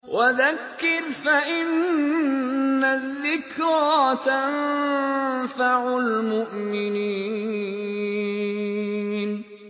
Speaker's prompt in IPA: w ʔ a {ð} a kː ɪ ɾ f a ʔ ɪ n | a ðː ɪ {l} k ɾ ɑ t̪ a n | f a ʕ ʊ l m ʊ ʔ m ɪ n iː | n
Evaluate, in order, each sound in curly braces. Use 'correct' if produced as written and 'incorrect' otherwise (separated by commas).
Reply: correct, incorrect